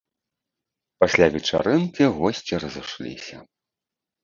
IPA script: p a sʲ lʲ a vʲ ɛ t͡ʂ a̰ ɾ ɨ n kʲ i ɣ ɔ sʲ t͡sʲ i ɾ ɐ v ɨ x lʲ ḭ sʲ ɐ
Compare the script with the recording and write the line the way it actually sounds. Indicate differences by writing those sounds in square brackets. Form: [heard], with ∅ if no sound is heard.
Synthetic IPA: p a sʲ lʲ a vʲ ɛ t͡ʂ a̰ ɾ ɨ n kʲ i ɣ ɔ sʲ t͡sʲ i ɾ ɐ [z] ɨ [ʂ] lʲ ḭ sʲ ɐ